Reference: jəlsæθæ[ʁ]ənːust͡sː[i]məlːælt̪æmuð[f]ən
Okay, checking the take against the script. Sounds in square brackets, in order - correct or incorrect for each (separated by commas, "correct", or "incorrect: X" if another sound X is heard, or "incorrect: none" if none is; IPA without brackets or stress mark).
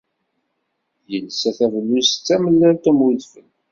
incorrect: v, incorrect: æ, correct